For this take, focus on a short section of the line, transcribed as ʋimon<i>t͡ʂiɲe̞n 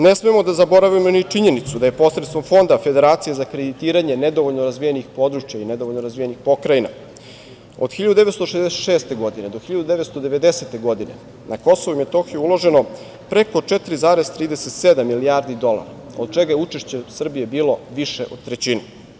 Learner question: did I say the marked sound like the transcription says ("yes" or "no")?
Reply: yes